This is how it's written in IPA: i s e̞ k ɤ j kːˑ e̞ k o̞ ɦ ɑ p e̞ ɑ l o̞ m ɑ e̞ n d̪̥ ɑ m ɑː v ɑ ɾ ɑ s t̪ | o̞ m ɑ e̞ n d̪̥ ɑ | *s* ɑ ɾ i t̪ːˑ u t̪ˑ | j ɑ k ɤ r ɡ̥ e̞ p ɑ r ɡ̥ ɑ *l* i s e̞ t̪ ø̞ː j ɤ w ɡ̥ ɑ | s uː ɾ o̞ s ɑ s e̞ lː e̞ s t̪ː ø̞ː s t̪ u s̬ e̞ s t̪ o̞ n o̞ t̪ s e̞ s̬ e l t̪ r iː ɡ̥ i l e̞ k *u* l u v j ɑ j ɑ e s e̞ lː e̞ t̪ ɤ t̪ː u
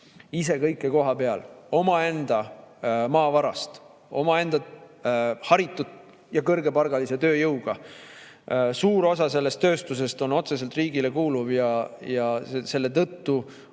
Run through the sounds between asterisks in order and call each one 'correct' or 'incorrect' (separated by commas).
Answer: incorrect, correct, incorrect